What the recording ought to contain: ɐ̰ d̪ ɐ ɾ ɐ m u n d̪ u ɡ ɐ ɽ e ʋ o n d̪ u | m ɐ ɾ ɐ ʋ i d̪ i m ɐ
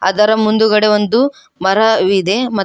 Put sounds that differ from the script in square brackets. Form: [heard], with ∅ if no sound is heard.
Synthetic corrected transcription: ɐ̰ d̪ ɐ ɾ ɐ m u n d̪ u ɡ ɐ ɽ e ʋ o n d̪ u | m ɐ ɾ ɐ ʋ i d̪ [e] m ɐ